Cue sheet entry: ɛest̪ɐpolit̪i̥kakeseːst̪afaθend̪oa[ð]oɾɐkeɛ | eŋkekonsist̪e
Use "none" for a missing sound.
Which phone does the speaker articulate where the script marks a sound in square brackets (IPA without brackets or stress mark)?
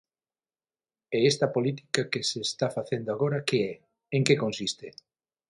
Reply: ɣ